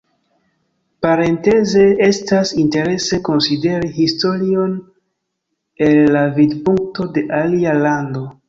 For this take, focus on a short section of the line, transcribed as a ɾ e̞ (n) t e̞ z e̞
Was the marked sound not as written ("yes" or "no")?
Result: no